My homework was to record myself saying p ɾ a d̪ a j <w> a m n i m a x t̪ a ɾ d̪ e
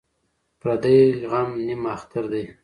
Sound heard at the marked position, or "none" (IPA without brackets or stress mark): ɣ